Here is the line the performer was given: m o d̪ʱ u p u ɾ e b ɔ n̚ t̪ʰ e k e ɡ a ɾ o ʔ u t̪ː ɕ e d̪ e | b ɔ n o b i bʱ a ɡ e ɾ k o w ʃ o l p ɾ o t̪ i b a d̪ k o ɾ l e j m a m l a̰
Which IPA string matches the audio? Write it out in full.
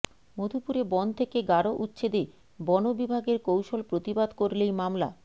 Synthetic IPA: m o d̪ʱ u p u ɾ e b ɔ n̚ t̪ʰ e k e ɡ a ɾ o ʔ u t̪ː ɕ e d̪ e | b ɔ n o b i bʱ a ɡ e ɾ k o w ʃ o l p ɾ o t̪ i b a d̪ k o ɾ l e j m a m l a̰